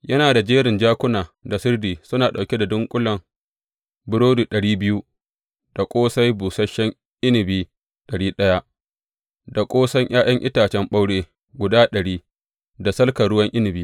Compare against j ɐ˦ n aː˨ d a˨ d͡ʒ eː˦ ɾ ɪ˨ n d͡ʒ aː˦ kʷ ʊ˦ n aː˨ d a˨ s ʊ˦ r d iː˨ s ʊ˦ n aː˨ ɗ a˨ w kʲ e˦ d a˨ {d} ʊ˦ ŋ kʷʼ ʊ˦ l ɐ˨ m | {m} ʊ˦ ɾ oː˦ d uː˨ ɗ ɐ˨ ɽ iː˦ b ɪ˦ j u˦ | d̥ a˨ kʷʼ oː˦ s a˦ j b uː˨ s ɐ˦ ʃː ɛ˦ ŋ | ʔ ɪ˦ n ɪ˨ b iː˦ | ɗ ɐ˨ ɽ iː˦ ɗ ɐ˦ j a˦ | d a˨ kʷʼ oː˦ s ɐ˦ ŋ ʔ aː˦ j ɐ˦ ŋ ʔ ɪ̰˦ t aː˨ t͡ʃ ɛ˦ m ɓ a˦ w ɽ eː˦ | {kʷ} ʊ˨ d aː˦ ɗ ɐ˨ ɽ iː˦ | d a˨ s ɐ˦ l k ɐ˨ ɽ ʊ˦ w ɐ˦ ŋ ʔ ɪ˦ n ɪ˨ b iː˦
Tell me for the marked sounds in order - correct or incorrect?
correct, incorrect: b, incorrect: ɡʷ

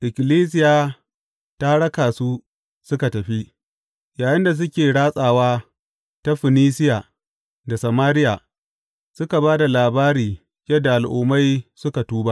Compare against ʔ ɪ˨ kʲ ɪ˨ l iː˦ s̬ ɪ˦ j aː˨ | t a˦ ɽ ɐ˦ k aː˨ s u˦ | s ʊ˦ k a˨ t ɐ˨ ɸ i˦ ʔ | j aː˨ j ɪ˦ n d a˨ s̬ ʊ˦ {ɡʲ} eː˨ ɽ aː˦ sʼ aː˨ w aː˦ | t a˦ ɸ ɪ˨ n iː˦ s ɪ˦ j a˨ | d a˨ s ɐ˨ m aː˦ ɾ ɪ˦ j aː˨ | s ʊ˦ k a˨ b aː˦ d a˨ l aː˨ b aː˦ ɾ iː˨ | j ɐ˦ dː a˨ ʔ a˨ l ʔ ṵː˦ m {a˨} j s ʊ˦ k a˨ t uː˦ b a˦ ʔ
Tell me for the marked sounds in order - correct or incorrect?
incorrect: kʲ, incorrect: a˦

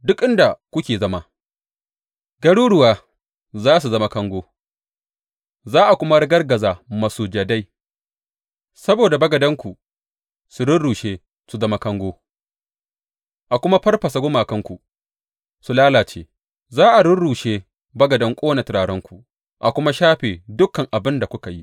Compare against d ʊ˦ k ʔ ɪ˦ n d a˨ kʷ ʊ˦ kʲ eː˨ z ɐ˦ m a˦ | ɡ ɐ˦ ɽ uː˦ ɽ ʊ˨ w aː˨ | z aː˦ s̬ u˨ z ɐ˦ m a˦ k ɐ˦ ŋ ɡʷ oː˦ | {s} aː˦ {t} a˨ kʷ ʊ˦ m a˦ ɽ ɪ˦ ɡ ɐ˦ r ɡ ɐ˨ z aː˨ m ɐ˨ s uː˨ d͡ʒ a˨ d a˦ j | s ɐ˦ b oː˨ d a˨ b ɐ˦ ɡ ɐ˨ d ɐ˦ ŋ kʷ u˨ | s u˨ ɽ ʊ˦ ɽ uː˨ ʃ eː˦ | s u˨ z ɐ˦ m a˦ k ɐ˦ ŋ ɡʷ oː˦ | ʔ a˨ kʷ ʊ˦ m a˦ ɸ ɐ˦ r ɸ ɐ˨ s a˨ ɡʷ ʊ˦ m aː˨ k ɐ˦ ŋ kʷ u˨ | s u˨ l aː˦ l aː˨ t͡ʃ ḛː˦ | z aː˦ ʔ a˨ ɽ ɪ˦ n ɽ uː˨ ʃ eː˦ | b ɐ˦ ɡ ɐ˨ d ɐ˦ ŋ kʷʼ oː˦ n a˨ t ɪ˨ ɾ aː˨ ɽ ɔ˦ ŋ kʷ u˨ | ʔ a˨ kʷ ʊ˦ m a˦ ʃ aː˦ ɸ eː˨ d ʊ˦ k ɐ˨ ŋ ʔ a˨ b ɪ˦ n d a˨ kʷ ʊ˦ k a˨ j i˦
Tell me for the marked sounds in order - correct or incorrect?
incorrect: z, incorrect: ʔ

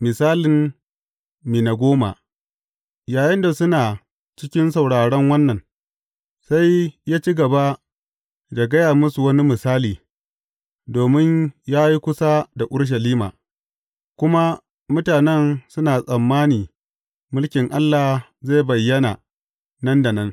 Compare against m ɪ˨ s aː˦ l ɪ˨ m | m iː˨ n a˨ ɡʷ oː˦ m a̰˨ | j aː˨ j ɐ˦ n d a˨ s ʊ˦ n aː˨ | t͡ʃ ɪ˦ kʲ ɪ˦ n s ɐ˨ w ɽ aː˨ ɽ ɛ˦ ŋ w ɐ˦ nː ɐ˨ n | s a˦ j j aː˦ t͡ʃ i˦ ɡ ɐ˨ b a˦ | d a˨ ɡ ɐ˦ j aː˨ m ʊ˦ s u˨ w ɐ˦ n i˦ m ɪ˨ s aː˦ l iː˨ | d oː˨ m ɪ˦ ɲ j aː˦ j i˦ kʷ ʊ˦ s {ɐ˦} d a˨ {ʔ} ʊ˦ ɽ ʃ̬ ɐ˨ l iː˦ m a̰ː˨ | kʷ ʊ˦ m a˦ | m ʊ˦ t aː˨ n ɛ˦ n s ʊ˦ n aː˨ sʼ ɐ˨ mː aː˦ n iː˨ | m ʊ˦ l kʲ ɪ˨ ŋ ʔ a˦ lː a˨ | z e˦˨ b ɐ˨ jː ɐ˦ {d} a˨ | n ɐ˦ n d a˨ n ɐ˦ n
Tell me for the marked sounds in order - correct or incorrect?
incorrect: a˦, correct, incorrect: n

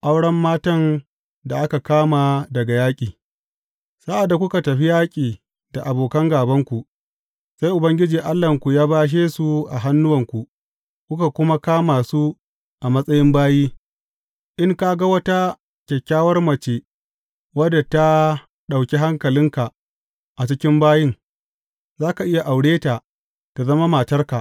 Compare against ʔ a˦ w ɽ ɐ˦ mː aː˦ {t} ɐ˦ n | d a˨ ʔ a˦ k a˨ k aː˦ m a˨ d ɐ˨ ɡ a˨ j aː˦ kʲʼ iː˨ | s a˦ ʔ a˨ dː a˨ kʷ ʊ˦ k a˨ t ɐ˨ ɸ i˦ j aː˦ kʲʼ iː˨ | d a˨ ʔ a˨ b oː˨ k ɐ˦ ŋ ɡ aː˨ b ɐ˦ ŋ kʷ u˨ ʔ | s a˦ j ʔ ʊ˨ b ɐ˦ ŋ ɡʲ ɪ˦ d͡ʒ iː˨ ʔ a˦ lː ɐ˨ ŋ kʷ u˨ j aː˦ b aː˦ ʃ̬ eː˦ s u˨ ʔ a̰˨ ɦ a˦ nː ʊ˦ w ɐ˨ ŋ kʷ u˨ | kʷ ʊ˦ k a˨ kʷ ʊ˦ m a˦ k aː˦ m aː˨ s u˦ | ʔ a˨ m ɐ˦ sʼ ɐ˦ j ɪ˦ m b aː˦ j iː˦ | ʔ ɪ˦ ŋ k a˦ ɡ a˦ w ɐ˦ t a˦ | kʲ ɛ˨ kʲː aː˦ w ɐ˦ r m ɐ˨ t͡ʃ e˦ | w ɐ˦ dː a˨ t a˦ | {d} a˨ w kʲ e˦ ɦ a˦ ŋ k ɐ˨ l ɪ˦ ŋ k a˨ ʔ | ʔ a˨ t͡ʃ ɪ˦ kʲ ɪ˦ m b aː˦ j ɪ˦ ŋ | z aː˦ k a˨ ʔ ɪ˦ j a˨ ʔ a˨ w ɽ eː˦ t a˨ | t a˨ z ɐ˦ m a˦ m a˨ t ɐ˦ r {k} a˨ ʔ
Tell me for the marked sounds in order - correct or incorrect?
correct, incorrect: ɗ, correct

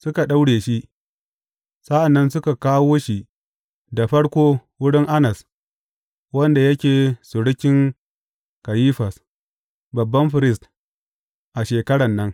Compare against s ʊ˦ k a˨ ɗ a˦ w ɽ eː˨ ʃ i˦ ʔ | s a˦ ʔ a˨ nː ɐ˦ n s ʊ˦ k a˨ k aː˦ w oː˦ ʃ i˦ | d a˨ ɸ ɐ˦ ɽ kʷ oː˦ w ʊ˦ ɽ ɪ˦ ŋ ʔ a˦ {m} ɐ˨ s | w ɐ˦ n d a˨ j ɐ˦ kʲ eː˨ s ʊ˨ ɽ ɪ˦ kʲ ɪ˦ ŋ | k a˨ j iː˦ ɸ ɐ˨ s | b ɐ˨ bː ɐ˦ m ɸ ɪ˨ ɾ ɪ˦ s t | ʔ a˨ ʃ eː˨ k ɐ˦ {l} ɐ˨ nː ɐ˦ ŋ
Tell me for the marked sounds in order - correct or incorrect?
incorrect: n, incorrect: ɽ

